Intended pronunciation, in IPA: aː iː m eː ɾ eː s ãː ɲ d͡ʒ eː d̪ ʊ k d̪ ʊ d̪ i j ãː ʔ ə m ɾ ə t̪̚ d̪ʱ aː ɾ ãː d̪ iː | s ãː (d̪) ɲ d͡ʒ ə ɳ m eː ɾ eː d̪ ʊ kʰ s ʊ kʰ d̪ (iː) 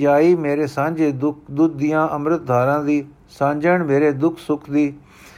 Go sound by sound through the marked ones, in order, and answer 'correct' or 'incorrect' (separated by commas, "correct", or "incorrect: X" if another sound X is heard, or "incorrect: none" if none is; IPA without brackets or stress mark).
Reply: incorrect: none, correct